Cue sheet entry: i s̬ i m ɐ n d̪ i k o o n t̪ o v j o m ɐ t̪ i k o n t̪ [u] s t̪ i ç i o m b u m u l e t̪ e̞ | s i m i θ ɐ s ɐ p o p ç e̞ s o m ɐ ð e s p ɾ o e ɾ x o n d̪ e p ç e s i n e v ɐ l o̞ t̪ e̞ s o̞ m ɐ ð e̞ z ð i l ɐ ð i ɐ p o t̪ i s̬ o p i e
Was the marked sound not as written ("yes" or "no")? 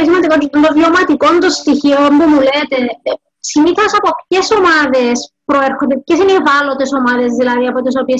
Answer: yes